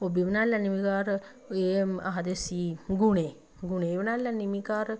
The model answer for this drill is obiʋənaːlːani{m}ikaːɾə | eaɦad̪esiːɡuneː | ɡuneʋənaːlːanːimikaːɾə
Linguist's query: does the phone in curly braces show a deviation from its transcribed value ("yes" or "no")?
no